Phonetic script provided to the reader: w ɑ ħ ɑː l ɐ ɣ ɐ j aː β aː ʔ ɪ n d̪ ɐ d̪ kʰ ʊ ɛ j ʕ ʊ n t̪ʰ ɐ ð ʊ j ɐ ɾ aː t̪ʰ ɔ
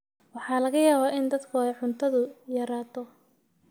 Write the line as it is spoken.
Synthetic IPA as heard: w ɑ ħ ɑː l ɐ ɣ ɐ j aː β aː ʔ ɪ n d̪ ɐ d̪ kʰ ʊ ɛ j ʕ ʊ n t̪ʰ ɐ ð ʊ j ɐ ɾ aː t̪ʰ ɔ